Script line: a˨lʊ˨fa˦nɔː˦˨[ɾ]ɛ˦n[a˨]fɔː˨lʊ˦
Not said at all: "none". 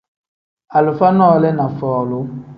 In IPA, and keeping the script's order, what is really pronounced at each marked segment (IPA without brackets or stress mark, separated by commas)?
l, a˨